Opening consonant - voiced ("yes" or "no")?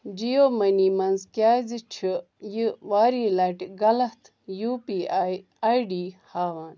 yes